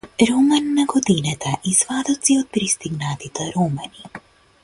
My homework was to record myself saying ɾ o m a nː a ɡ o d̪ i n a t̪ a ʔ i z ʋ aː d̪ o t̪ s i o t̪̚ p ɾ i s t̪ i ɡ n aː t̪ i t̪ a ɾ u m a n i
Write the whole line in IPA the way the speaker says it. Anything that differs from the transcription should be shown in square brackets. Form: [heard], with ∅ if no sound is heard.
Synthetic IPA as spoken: ɾ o m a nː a ɡ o d̪ i n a t̪ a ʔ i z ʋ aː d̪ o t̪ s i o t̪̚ p ɾ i s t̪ i ɡ n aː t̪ i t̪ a ɾ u m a n i